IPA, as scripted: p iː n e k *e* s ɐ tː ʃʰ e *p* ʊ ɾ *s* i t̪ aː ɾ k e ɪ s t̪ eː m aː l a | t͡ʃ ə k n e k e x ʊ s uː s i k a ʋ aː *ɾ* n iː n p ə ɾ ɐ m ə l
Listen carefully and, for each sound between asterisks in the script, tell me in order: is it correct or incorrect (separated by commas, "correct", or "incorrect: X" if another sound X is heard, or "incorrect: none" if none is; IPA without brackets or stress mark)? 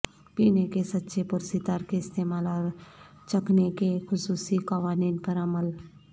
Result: correct, correct, correct, incorrect: none